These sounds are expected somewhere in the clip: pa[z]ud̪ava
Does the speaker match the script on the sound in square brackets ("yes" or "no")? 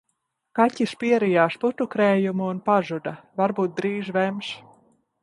no